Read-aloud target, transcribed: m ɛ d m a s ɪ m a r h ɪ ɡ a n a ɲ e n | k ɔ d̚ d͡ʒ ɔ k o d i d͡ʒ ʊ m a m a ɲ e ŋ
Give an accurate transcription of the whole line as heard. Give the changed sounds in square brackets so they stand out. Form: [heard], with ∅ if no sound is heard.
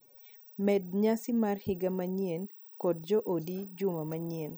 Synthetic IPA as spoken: m ɛ d [ɲ] a s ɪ m a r h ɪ ɡ a [m] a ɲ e n | k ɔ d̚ d͡ʒ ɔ [ʔ] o d i d͡ʒ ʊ m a m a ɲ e [n]